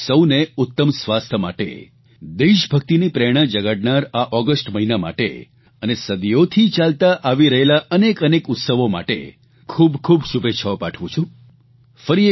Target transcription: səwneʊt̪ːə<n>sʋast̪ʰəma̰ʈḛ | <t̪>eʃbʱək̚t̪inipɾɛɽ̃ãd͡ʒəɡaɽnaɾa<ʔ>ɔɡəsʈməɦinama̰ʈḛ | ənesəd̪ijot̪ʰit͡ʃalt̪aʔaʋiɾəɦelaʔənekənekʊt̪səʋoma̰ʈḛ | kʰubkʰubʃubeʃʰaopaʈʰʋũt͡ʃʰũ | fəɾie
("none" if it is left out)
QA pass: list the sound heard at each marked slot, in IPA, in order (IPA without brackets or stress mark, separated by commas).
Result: m, d̪, ʔ